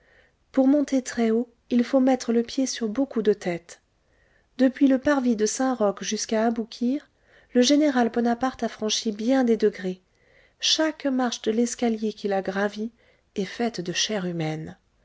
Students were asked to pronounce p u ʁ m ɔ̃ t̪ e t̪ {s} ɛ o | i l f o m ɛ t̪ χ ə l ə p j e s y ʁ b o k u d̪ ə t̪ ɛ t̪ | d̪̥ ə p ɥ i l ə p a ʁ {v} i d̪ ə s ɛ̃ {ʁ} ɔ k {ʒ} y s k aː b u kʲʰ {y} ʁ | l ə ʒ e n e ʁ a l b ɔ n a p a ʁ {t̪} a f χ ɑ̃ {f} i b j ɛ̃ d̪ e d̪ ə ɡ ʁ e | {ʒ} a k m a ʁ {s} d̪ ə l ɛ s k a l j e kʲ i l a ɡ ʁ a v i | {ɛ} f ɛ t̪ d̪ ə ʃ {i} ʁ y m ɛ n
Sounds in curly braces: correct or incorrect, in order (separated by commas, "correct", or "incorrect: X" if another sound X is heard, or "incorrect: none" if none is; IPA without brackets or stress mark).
incorrect: χ, correct, correct, correct, incorrect: i, correct, incorrect: ʃ, incorrect: ʃ, incorrect: ʃ, correct, incorrect: ɛ